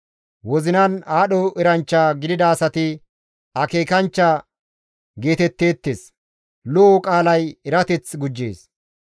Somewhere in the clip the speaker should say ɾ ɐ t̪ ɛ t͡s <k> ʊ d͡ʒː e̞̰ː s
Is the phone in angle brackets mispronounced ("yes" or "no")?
yes